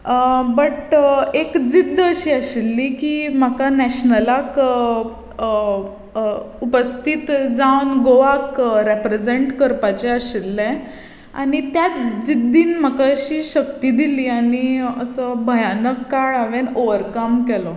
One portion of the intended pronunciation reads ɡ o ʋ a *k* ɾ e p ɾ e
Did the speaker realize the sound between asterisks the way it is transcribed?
yes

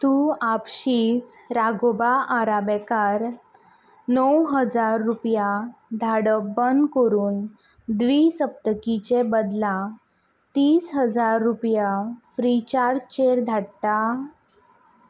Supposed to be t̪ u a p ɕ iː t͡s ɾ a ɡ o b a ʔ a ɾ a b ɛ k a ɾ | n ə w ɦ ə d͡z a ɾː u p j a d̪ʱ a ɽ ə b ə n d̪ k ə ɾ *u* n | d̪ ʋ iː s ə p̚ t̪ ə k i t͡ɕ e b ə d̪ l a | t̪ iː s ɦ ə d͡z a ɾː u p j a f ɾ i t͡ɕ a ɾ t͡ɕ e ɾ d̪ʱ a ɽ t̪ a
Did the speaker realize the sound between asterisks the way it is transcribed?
no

